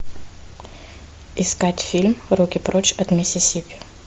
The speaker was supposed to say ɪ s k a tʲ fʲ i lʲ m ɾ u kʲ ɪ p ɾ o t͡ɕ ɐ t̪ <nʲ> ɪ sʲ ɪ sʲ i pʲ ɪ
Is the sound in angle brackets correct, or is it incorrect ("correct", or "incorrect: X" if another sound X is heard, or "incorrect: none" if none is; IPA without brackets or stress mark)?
incorrect: mʲ